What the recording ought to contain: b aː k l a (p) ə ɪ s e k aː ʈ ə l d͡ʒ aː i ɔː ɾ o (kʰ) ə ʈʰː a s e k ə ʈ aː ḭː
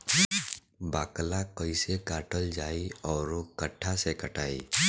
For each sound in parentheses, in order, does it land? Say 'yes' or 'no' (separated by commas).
no, no